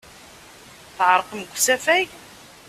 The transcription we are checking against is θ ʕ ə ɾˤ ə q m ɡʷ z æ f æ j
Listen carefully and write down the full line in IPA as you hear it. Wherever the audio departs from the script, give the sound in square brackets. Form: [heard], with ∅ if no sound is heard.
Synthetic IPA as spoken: θ ʕ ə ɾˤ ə q m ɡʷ [s] æ f æ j